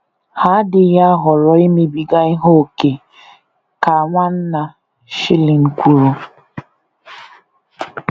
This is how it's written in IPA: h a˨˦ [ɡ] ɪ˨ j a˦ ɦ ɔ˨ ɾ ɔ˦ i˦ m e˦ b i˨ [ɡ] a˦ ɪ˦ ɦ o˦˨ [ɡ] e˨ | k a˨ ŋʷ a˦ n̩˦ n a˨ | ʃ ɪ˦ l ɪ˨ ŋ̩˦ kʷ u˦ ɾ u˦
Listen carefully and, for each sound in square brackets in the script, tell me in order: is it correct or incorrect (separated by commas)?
incorrect, correct, incorrect